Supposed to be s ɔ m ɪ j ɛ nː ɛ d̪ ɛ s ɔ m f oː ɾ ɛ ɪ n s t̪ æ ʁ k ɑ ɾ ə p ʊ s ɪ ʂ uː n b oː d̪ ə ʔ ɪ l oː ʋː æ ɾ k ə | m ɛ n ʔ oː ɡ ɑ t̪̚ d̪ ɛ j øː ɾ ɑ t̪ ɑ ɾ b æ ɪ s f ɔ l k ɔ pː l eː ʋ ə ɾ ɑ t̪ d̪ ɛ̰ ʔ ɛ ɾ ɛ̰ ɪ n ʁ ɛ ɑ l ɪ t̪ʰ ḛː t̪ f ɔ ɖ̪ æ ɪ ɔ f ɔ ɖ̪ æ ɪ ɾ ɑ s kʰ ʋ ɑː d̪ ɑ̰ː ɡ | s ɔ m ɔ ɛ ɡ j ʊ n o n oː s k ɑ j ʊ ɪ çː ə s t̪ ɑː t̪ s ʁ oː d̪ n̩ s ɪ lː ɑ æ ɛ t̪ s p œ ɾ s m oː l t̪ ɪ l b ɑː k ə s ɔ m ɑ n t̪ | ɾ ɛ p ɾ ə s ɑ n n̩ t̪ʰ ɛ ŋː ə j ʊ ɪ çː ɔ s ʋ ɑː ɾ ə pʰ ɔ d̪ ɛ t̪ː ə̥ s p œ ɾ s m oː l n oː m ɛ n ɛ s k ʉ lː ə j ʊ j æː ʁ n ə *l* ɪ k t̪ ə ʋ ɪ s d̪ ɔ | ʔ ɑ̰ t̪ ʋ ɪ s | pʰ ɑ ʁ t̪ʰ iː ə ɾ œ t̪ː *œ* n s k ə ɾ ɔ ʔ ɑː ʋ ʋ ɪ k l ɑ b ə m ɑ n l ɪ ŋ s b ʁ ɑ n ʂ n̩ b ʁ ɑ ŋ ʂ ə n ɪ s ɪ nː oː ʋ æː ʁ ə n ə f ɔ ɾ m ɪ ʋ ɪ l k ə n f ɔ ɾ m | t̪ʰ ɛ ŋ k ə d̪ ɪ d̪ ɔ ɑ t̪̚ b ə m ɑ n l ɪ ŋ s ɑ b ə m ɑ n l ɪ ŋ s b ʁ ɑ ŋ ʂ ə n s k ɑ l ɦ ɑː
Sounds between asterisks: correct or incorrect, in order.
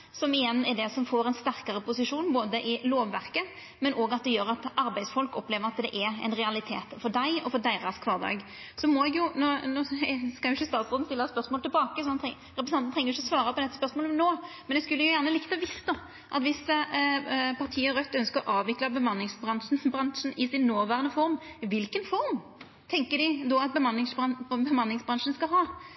correct, correct

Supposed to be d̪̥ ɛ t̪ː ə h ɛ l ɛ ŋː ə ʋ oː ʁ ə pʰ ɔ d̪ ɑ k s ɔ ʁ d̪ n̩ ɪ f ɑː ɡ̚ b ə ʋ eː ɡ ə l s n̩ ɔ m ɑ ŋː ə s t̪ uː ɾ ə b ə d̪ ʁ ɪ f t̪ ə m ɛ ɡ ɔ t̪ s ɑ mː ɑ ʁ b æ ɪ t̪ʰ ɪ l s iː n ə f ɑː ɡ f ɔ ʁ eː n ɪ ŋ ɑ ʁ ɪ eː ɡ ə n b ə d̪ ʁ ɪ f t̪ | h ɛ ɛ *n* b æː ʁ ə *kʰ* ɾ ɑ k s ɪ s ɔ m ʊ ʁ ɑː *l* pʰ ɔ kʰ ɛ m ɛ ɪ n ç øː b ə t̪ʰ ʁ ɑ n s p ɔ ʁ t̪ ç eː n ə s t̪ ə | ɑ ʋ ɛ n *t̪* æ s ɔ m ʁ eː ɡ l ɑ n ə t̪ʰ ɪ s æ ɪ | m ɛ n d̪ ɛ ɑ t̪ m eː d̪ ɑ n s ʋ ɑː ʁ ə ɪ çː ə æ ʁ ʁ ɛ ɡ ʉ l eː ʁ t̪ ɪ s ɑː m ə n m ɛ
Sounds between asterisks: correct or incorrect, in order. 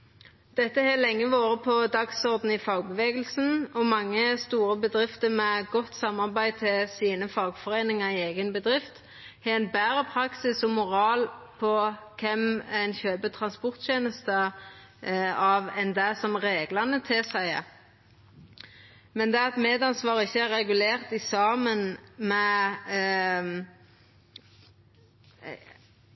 correct, incorrect: pʰ, correct, incorrect: d̪

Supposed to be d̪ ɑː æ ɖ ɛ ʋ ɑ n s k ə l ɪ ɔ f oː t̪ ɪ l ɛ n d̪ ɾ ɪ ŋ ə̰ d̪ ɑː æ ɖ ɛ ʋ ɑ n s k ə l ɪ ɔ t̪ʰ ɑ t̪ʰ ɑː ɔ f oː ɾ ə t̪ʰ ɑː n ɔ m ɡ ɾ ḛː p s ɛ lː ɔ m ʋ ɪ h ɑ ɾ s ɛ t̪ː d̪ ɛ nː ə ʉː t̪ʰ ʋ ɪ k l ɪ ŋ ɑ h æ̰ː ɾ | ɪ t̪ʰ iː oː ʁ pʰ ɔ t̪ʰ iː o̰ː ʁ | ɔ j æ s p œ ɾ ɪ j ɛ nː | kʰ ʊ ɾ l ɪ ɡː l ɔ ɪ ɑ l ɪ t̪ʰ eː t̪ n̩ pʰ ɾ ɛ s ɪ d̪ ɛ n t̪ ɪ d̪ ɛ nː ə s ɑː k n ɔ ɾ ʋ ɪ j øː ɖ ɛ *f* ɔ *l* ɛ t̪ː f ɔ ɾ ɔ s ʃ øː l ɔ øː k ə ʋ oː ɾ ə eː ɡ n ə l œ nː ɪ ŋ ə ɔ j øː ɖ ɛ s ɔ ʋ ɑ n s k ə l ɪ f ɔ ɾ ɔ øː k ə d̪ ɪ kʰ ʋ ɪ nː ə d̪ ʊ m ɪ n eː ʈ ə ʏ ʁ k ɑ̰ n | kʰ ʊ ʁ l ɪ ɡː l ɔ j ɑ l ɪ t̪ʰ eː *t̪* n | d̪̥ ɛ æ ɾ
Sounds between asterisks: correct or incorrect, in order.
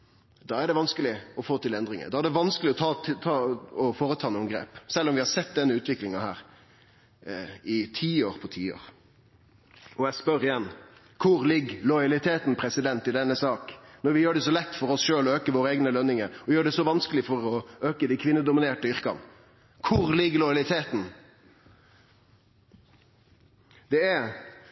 incorrect: s, correct, correct

